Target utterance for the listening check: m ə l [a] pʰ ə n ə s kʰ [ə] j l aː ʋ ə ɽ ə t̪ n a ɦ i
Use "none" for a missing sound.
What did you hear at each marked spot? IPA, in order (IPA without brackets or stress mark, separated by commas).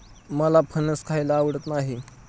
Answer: a, a